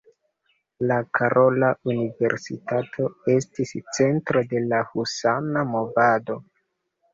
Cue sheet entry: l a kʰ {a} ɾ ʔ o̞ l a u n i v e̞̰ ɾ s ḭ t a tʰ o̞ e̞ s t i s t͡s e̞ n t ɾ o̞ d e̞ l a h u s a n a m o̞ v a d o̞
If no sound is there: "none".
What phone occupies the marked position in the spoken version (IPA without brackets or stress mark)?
a